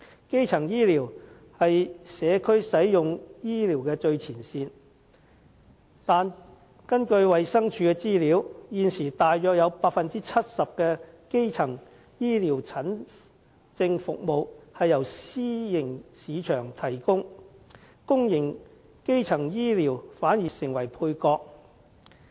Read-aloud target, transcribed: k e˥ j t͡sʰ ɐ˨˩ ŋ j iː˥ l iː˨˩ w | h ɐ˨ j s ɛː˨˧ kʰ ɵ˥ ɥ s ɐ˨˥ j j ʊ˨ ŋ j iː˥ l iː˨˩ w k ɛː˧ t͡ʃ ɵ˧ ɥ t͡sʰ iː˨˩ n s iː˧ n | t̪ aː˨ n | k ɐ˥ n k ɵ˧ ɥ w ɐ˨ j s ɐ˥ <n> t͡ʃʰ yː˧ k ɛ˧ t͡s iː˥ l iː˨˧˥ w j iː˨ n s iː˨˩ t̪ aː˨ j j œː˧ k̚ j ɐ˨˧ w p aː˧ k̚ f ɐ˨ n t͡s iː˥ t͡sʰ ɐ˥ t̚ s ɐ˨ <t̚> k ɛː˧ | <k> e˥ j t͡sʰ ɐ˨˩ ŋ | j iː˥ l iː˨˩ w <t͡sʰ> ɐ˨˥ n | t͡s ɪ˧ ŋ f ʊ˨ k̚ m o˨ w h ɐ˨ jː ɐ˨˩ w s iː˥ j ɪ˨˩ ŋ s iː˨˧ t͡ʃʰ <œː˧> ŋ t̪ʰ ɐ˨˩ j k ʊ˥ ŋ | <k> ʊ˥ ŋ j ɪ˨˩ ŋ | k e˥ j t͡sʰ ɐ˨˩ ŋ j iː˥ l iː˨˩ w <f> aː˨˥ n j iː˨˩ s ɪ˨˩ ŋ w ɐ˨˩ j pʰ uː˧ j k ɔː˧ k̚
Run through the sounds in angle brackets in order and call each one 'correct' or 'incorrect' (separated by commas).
incorrect, incorrect, correct, correct, incorrect, correct, correct